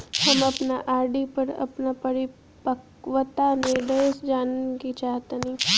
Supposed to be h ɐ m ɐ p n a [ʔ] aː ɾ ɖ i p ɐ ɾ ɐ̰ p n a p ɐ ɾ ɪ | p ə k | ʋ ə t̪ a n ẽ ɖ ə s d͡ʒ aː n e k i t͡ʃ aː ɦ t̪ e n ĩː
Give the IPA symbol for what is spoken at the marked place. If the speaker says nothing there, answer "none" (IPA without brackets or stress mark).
ʔ